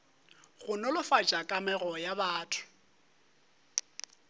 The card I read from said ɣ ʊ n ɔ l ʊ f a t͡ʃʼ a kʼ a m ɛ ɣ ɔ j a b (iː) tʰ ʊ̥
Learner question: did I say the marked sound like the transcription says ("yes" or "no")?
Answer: no